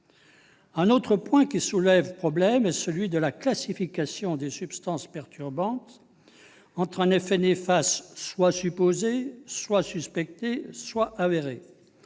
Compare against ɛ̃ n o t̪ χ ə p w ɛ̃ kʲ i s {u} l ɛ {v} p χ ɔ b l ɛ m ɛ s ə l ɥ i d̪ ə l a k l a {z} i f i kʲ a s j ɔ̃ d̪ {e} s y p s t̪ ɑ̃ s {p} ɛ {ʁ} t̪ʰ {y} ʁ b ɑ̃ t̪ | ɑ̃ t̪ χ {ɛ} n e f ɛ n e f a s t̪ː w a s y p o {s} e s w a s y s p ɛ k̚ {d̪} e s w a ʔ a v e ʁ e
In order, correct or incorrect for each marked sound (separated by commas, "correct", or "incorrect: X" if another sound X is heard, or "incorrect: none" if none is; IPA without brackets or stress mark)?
correct, correct, incorrect: s, correct, correct, correct, correct, incorrect: ɛ̃, incorrect: z, incorrect: t̪